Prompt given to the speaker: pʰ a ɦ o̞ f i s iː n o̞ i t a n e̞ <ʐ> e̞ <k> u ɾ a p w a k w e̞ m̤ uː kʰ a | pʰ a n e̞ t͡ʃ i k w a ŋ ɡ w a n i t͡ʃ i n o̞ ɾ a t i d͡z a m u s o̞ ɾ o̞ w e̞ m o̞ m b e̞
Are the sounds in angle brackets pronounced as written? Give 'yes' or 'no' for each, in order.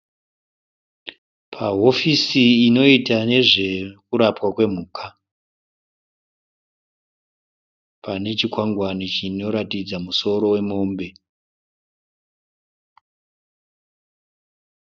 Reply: yes, yes

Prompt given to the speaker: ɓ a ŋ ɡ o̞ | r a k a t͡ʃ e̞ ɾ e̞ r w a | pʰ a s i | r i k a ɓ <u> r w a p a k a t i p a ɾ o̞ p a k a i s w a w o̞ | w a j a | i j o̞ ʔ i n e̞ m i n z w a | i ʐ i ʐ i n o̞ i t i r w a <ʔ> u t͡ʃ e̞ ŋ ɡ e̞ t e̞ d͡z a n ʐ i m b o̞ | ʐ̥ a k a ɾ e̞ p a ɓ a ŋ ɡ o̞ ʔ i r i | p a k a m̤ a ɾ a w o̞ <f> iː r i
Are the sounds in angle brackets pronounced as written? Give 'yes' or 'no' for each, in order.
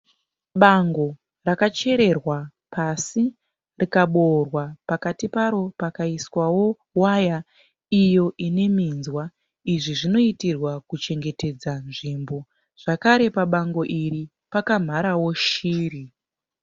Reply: no, no, no

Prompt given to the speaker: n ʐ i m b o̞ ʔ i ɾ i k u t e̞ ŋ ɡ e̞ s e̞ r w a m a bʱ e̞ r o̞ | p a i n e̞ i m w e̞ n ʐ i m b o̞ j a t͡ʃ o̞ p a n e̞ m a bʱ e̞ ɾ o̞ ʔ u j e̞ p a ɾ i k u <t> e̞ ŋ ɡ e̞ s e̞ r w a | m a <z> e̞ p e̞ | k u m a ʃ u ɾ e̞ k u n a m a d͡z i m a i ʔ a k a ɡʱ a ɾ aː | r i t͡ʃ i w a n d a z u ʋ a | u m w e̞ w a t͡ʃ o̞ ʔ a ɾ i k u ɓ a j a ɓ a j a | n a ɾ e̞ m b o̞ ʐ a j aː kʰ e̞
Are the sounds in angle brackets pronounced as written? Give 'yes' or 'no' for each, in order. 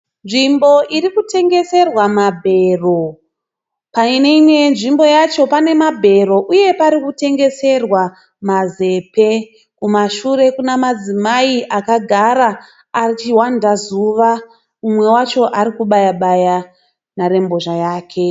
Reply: yes, yes

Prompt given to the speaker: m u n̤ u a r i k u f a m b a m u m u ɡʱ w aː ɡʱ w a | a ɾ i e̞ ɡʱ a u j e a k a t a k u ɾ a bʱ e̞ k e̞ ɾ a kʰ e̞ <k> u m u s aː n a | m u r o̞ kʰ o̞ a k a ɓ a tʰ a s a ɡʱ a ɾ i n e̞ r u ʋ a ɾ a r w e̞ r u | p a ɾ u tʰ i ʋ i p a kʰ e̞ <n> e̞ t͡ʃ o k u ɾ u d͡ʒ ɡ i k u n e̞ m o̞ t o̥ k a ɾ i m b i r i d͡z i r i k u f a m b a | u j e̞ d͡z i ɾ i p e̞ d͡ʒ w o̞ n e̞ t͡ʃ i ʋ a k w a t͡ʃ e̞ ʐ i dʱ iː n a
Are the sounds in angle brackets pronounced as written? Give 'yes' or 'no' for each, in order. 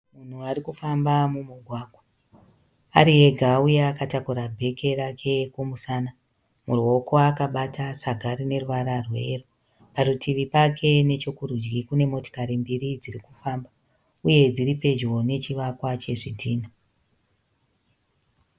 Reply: yes, yes

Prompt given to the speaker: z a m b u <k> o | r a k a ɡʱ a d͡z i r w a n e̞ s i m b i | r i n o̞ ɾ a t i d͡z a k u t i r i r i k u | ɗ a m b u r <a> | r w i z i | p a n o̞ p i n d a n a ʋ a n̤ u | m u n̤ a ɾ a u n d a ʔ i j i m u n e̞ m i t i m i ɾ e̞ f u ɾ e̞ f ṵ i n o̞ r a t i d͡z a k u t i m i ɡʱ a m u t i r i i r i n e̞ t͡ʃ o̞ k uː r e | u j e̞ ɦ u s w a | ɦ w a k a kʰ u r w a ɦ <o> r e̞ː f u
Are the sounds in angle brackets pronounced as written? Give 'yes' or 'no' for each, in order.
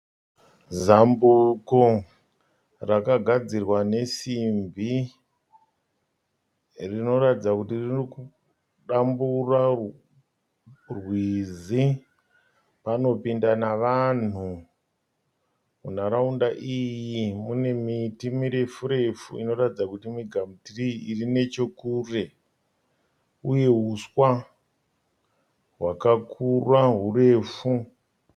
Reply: yes, yes, no

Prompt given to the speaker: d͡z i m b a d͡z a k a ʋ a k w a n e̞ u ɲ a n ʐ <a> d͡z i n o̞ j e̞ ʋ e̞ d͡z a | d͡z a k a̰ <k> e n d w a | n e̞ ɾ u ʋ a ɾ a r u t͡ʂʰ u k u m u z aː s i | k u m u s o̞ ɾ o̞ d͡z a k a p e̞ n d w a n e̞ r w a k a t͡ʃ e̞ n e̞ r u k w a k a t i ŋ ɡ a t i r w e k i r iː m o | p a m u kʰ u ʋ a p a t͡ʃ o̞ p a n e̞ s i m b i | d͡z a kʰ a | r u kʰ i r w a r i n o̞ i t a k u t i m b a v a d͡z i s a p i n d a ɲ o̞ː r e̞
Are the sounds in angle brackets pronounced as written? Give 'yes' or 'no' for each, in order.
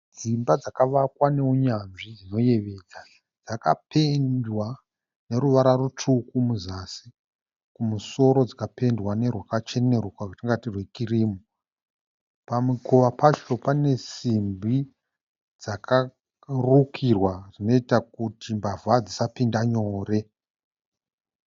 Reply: no, no

